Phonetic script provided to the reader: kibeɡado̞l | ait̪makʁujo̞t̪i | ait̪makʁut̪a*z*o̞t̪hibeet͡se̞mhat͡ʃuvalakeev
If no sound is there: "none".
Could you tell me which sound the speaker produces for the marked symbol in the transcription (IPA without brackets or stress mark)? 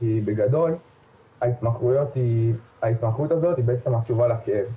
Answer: z